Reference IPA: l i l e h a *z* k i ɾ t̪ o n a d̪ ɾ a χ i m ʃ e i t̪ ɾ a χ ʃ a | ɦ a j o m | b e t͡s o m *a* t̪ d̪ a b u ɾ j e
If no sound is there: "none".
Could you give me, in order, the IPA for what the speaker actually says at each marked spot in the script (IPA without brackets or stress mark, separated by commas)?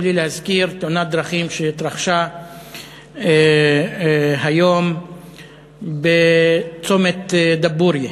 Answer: z, e